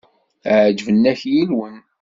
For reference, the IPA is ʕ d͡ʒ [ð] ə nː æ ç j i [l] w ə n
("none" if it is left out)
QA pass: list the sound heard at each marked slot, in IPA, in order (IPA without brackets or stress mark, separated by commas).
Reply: v, l